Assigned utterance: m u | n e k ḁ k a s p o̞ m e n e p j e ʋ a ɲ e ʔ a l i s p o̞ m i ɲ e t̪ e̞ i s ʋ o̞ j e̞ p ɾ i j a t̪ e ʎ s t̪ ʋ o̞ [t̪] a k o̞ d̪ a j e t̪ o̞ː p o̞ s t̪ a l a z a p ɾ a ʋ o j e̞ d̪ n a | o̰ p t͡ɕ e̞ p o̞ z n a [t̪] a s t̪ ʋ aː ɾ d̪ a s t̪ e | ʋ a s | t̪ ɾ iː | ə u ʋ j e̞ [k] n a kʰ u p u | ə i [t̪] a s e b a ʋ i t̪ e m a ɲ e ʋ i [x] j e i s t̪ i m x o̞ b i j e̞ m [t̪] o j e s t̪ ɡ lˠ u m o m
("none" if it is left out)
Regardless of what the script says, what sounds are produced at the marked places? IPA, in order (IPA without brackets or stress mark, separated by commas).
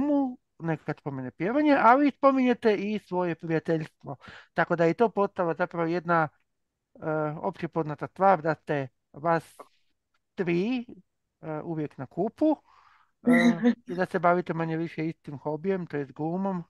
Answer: t̪, t̪, k, d̪, ʃ, t̪